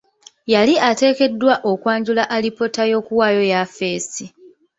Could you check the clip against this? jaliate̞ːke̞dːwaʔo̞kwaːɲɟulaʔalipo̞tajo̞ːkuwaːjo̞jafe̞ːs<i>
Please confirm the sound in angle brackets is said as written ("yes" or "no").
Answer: yes